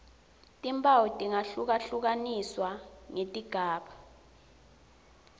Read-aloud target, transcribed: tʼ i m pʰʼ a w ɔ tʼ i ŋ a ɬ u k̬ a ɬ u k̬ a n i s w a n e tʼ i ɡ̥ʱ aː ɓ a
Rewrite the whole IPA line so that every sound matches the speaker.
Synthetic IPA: tʼ i m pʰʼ a w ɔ tʼ i ŋ a ɬ u k̬ a ɬ u k̬ a n i s w a ŋ e tʼ i ɡ̥ʱ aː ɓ a